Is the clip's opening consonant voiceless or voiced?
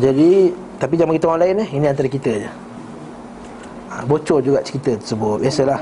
voiced